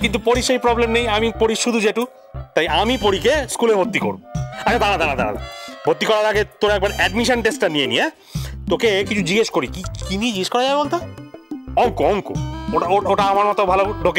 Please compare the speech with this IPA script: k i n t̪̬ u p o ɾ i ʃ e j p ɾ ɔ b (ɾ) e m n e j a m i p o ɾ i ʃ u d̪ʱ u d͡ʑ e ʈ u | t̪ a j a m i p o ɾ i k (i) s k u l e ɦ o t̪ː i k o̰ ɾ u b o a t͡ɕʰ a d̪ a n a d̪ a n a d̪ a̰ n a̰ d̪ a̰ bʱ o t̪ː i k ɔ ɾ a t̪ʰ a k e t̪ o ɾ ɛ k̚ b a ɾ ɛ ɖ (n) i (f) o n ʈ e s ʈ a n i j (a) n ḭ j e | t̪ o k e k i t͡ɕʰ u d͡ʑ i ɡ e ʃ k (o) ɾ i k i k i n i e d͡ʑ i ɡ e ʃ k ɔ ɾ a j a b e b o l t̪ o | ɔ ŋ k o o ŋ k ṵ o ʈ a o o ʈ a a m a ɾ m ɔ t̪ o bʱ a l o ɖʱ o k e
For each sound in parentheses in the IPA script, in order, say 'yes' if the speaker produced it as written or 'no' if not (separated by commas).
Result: no, no, no, no, no, yes